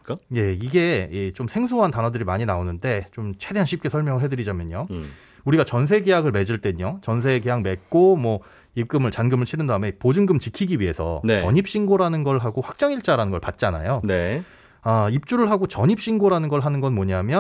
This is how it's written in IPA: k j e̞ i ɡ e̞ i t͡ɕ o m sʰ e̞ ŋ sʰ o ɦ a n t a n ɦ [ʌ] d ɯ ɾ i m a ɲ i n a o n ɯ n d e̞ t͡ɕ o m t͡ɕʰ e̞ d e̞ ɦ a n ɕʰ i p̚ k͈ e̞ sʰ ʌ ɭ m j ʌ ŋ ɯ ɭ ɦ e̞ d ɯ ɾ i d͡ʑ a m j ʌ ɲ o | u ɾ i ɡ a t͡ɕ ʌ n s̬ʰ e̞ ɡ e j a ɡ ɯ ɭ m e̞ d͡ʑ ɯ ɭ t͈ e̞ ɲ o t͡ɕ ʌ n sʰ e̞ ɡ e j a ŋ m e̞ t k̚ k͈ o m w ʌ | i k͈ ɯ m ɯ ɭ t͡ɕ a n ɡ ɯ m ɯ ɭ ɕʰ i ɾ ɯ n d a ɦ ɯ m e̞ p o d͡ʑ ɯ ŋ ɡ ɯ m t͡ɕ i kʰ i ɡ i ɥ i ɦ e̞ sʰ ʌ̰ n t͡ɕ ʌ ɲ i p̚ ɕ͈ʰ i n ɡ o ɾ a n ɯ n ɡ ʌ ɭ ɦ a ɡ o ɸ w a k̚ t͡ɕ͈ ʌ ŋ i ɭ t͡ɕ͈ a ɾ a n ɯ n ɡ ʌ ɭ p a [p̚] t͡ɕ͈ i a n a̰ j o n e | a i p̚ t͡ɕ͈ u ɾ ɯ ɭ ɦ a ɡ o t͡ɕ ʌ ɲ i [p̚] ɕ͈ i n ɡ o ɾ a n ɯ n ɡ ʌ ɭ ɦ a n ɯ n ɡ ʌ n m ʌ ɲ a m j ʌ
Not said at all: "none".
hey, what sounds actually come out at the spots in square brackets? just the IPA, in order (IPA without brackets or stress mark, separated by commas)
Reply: ʌ, t̚, p̚